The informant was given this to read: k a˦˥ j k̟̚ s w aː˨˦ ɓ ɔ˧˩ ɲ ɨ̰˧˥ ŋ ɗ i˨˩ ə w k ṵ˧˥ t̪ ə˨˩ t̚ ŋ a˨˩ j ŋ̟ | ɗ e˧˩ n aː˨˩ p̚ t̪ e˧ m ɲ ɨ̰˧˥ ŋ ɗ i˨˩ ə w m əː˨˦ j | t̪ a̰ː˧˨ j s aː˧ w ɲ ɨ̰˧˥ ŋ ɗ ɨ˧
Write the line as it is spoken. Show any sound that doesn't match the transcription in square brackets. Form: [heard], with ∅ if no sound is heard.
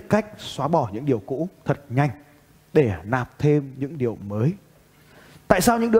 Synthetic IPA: k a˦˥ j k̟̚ s w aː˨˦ ɓ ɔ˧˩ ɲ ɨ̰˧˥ ŋ ɗ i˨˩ ə w k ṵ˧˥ [t̪ʰ] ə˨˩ t̚ [ɲ] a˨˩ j ŋ̟ | ɗ e˧˩ n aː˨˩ p̚ [t̪ʰ] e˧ m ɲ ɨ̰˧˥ ŋ ɗ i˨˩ ə w m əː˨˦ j | t̪ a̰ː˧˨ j s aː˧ w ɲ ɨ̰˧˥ ŋ ɗ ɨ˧